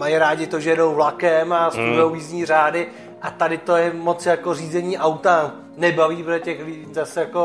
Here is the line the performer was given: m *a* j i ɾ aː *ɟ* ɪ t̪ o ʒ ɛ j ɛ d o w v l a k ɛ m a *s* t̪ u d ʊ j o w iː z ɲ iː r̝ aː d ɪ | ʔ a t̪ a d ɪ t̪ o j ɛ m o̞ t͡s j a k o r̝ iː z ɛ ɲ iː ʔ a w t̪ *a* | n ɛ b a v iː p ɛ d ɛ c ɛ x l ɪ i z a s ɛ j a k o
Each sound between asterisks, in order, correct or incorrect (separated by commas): correct, correct, correct, correct